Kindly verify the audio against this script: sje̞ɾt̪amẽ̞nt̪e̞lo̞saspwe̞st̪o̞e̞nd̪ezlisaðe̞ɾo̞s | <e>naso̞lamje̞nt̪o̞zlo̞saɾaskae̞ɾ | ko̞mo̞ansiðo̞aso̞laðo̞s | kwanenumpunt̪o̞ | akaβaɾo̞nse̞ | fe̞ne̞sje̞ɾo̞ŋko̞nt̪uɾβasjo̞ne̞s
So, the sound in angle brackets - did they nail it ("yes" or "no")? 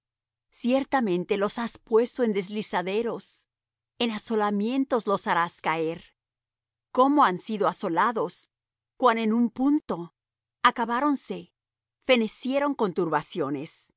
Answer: yes